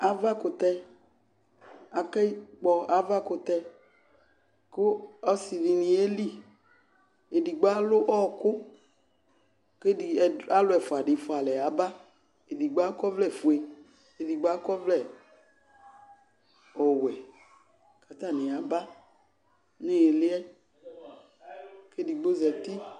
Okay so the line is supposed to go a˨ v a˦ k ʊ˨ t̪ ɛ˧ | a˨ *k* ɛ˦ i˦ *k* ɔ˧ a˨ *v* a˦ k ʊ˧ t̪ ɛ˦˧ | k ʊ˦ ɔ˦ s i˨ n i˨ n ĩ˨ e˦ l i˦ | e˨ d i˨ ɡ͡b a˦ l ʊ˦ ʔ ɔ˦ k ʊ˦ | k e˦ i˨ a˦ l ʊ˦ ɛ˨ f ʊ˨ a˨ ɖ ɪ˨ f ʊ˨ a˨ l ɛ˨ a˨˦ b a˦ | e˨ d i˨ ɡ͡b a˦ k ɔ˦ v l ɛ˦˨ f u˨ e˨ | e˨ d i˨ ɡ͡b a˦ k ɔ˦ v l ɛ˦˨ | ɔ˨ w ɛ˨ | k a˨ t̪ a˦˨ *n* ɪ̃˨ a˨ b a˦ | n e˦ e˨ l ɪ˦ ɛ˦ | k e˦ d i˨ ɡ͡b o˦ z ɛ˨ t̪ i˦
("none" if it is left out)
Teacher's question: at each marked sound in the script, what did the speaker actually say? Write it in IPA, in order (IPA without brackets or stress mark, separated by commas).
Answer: k, k͡p, v, n